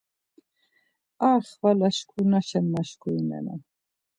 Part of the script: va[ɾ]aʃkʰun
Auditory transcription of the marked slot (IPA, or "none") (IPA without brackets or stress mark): l